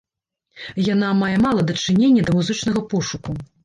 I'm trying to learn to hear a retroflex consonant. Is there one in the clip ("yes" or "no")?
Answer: yes